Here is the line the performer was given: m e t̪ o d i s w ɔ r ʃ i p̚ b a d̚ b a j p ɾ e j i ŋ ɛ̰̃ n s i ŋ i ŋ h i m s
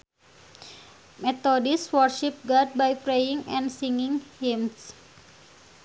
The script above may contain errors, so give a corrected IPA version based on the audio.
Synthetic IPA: m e t̪ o d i s w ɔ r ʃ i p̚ ɡ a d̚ b a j p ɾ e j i ŋ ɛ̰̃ n s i ŋ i ŋ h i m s